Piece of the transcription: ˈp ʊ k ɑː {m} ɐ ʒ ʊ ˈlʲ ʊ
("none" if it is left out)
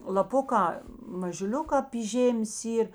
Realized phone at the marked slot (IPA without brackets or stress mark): m